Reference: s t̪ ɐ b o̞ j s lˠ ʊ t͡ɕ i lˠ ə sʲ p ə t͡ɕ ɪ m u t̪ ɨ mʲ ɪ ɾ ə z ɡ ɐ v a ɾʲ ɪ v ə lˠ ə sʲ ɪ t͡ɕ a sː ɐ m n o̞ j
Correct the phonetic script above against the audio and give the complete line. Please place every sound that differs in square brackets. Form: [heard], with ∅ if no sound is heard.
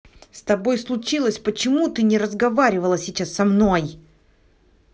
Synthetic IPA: s t̪ ɐ b o̞ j s lˠ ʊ t͡ɕ i lˠ ə sʲ p ə t͡ɕ ɪ m u t̪ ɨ [nʲ] ɪ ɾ ə z ɡ ɐ v a ɾʲ ɪ v ə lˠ ə sʲ ɪ t͡ɕ a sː ɐ m n o̞ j